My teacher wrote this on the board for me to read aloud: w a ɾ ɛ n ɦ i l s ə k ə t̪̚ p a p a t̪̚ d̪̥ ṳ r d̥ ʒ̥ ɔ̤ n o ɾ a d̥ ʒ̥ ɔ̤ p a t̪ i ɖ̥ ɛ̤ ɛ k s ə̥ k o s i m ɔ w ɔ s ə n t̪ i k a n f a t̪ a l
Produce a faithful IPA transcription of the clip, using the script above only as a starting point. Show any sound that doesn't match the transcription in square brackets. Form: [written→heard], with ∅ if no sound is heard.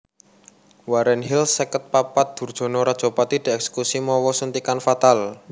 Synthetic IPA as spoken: w a ɾ ɛ n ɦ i l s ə k ə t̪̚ p a p a t̪̚ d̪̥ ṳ r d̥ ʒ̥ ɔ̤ n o ɾ a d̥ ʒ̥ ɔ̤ p a t̪ i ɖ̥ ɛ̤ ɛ k s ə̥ k [o→u] s i m ɔ w ɔ s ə n t̪ i k a n f a t̪ a l